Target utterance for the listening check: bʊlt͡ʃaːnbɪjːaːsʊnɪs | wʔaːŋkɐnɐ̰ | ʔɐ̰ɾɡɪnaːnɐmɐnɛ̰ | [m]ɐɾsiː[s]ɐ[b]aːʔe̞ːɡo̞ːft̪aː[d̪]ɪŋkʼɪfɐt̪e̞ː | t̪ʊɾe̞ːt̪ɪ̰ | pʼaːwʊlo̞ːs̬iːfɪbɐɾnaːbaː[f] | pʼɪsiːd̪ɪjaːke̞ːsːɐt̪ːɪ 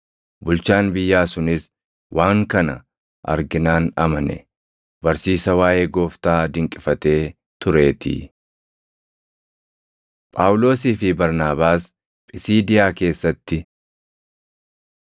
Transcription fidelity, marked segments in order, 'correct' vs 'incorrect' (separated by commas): incorrect, correct, incorrect, correct, incorrect